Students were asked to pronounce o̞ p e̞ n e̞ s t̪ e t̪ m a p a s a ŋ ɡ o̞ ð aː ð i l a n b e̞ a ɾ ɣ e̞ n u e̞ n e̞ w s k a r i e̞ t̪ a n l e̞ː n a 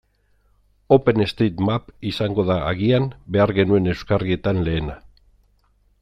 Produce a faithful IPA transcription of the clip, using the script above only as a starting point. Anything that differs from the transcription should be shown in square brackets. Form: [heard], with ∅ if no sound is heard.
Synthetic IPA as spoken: o̞ p e̞ n e̞ s t̪ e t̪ m a p [i] s a ŋ ɡ o̞ ð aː [ɣ] i [∅] a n b e̞ a ɾ ɣ e̞ n u e̞ n e̞ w s k a r i e̞ t̪ a n l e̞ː n a

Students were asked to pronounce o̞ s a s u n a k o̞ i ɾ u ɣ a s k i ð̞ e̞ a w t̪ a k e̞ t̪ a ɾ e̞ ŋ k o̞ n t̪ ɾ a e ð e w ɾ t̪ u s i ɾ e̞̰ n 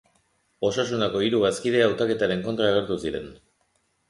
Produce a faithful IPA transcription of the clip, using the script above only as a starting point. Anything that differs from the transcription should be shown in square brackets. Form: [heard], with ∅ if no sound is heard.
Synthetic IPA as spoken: o̞ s a s u n a k o̞ i ɾ u ɣ a s k i ð̞ e̞ a w t̪ a k e̞ t̪ a ɾ e̞ ŋ k o̞ n t̪ ɾ a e [ɣ] e [∅] ɾ t̪ u s i ɾ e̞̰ n

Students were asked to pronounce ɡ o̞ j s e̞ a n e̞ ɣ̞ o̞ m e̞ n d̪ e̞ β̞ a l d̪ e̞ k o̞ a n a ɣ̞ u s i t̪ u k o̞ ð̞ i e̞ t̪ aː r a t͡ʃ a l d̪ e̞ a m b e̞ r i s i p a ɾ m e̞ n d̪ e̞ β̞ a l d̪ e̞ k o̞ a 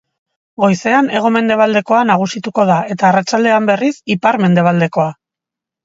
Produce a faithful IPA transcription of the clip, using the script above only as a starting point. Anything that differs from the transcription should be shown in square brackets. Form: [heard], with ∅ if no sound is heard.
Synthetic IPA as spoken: ɡ o̞ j s e̞ a n e̞ ɣ̞ o̞ m e̞ n d̪ e̞ β̞ a l d̪ e̞ k o̞ a n a ɣ̞ u s i t̪ u k o̞ ð̞ [a] e̞ t̪ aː r a t͡ʃ a l d̪ e̞ a m b e̞ r i s i p a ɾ m e̞ n d̪ e̞ β̞ a l d̪ e̞ k o̞ a

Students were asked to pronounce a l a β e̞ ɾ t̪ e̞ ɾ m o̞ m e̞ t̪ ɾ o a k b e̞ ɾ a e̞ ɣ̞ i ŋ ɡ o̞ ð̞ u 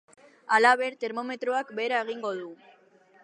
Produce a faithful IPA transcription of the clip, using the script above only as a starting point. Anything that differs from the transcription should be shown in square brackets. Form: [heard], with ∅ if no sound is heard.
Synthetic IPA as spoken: a l a β e̞ ɾ t̪ e̞ ɾ m o̞ m e̞ t̪ ɾ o a k b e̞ ɾ a e̞ ɣ̞ i ŋ ɡ o̞ ð̞ u

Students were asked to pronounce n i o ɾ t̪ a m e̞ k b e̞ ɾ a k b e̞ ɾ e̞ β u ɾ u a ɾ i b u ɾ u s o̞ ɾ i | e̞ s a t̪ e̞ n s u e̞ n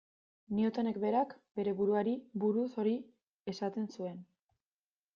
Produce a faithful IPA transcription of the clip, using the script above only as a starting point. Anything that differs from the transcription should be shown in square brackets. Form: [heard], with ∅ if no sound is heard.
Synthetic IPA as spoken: n i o [∅] t̪ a [n] e̞ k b e̞ ɾ a k b e̞ ɾ e̞ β u ɾ u a ɾ i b u ɾ u s o̞ ɾ i | e̞ s a t̪ e̞ n s u e̞ n

